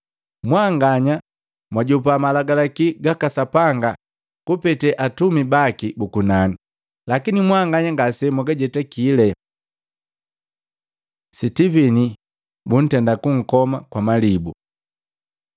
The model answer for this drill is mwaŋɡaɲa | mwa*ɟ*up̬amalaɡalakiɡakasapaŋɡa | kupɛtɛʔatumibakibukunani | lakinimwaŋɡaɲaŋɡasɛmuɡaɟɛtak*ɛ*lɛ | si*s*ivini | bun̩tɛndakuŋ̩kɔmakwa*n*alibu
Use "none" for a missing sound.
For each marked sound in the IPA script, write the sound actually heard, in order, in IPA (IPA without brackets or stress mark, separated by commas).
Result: ɟ, i, t, m